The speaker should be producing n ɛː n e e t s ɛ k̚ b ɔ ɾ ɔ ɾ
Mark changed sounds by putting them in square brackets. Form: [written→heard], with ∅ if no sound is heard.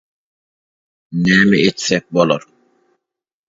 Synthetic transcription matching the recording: n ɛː [n→m] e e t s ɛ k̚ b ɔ [ɾ→l] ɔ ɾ